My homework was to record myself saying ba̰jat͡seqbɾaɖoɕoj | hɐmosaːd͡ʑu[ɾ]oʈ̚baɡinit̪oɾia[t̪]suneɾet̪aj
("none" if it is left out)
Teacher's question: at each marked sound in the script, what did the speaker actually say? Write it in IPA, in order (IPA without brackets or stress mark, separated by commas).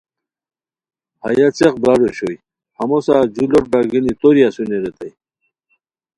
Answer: l, none